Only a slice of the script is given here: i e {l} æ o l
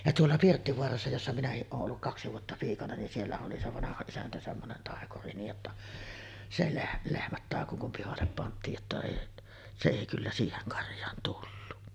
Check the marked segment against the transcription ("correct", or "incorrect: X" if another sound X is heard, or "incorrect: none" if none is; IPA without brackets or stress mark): incorrect: lː